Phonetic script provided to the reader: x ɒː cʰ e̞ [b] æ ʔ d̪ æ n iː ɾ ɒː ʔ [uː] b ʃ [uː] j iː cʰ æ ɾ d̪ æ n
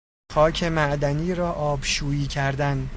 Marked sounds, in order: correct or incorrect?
incorrect, incorrect, correct

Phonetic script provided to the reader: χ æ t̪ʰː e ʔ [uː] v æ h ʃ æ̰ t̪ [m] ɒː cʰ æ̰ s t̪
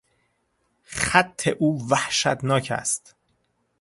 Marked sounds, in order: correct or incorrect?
correct, incorrect

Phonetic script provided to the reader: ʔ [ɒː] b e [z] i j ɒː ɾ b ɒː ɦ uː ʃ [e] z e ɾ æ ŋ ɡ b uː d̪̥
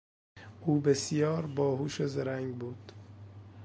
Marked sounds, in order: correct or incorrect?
incorrect, incorrect, correct

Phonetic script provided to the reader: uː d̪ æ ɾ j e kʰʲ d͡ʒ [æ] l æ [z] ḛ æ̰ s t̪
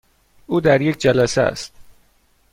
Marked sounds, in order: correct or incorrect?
correct, incorrect

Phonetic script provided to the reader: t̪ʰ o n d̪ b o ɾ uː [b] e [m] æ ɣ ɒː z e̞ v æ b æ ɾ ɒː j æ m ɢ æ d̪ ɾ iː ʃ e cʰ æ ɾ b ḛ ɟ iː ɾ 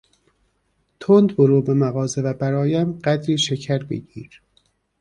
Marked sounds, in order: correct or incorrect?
correct, correct

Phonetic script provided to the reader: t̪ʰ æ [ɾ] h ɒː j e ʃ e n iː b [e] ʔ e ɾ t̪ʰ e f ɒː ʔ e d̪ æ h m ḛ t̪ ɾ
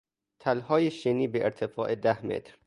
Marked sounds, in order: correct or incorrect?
incorrect, correct

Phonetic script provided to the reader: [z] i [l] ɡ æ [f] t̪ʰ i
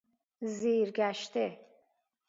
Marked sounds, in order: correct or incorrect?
correct, incorrect, incorrect

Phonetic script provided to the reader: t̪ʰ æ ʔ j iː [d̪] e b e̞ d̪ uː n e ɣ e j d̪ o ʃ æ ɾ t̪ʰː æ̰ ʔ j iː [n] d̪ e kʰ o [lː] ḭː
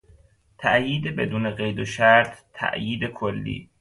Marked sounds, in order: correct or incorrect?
correct, incorrect, correct

